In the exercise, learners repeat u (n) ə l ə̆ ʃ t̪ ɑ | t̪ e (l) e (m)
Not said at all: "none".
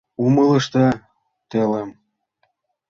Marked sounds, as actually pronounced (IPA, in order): m, l, m

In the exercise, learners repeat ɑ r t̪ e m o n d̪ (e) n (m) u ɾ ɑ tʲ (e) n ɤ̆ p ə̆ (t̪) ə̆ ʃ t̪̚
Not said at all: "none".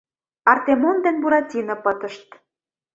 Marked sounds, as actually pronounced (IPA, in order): e, b, i, t̪

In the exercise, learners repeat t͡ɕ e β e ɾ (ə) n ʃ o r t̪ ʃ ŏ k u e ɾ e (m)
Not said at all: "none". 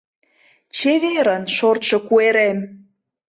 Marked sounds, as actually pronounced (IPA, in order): ə, m

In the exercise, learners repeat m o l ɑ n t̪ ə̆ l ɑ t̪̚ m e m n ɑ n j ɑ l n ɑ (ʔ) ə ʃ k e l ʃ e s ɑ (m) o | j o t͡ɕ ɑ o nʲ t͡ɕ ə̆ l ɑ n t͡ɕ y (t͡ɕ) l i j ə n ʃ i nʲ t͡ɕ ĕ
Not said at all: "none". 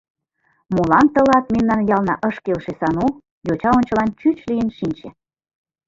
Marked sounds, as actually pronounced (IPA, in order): ʔ, n, t͡ɕ

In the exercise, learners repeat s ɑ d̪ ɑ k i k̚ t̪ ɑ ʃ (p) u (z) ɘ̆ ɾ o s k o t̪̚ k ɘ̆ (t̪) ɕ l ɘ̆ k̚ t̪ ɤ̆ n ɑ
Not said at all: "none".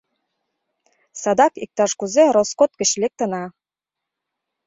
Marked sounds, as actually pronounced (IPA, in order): k, z, none

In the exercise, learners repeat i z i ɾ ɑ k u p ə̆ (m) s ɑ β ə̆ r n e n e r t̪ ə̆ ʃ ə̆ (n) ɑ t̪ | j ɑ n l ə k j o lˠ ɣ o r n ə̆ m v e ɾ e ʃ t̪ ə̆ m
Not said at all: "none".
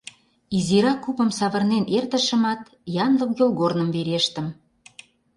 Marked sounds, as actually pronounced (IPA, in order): m, m

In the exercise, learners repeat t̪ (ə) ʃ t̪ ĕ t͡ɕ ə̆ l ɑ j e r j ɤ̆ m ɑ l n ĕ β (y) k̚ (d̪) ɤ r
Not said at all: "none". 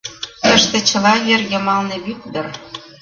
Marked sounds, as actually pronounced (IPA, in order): ə, y, d̪

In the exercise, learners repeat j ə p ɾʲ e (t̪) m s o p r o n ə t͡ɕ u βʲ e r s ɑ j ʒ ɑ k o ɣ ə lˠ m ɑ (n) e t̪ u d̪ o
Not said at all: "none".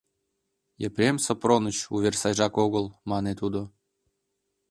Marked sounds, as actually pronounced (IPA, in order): none, n

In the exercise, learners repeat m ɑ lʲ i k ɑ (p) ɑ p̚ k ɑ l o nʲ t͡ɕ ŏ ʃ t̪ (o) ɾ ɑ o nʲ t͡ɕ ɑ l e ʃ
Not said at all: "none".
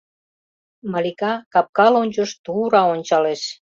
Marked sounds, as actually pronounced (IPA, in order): k, u

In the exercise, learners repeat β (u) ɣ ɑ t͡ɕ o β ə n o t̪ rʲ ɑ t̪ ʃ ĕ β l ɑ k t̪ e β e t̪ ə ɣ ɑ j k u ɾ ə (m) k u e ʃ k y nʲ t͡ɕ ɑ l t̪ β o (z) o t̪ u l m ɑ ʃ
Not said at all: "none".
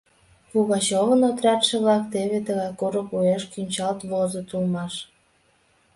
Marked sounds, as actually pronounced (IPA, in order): u, none, z

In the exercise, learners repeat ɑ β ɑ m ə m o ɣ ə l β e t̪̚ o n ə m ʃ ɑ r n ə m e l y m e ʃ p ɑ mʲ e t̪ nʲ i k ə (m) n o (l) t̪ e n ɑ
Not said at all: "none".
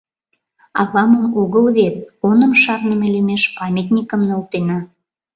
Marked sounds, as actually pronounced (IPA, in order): m, l

